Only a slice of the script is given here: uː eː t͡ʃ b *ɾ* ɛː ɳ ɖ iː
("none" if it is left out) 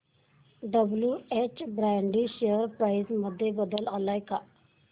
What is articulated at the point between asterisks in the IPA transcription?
ɾ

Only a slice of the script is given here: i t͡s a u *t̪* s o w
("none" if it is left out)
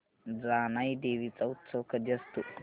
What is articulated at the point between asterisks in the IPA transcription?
t̪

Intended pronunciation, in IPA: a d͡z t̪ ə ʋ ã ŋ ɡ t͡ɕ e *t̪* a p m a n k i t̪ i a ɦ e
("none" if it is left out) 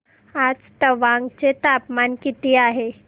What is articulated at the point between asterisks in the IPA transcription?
t̪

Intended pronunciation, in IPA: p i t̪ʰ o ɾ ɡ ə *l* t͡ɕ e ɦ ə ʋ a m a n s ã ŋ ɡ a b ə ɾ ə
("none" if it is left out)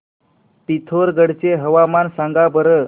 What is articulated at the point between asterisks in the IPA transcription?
ɽ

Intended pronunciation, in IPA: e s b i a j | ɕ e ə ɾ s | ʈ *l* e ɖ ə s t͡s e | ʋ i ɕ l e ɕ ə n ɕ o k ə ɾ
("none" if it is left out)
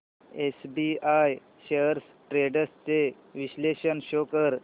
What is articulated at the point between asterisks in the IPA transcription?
ɾ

